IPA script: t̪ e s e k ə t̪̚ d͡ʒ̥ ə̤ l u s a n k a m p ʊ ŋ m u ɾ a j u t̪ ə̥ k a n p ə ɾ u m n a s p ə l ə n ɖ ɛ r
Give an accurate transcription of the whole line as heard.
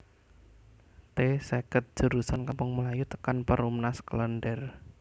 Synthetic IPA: t̪ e s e k ə t̪̚ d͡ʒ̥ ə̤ ɾ u s a n k a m p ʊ ŋ m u l a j u t̪ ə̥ k a n p ə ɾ u m n a s k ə l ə n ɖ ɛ r